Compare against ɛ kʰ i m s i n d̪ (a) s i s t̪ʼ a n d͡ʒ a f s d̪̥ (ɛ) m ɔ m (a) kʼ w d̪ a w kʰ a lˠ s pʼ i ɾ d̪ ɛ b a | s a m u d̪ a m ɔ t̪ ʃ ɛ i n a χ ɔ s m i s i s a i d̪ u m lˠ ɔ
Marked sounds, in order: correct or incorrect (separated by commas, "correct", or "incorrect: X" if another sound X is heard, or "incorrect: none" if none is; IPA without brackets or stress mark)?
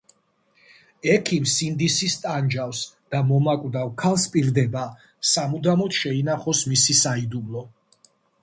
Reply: incorrect: i, incorrect: a, correct